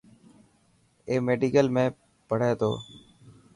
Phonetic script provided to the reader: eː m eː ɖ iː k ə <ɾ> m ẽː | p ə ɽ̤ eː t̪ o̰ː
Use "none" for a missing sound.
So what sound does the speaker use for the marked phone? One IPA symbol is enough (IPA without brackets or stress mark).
l